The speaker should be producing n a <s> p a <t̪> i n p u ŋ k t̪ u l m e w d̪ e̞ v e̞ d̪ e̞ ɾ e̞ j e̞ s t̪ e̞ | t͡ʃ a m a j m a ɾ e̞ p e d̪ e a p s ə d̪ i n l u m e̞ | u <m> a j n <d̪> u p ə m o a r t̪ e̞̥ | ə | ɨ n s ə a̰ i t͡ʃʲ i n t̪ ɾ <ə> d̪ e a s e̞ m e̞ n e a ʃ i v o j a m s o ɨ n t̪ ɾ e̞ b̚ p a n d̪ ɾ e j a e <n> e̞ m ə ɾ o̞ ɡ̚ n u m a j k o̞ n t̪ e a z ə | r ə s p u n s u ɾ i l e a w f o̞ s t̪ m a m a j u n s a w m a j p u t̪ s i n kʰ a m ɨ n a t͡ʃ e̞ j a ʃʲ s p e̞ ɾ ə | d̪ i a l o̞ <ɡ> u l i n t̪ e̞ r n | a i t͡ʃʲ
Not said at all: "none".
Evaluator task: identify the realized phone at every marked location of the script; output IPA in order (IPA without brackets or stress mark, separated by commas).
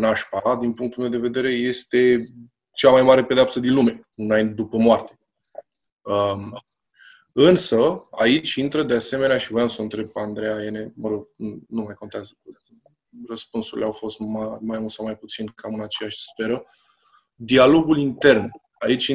ʃ, d̪, n, d̪, ə, n, ɡ